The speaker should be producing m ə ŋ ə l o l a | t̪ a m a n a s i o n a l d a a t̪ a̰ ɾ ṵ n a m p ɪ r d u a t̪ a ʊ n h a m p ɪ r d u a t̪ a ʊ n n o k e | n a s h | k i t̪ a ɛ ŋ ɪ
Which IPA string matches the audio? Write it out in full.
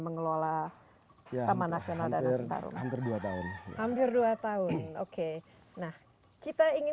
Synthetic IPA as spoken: m ə ŋ ə l o l a | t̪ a m a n a s i o n a l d a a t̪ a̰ ɾ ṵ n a m p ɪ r d u a t̪ a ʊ n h a m p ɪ r d u a t̪ a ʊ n n o k e | n a h | k i t̪ a i ŋ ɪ